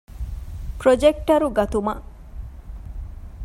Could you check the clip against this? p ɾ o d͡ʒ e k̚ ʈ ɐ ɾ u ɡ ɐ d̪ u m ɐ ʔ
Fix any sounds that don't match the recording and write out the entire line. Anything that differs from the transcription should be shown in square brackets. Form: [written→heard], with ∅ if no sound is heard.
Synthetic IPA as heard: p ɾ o d͡ʒ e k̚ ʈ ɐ ɾ u ɡ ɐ [d̪→t̪] u m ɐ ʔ